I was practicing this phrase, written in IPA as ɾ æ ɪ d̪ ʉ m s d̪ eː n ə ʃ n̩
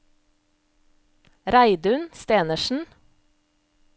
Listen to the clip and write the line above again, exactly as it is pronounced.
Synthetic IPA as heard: ɾ æ ɪ d̪ ʉ n s t̪ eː n ə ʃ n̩